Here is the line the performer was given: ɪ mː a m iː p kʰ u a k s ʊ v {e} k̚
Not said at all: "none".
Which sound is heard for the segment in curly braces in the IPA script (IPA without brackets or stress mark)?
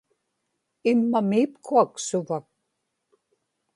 a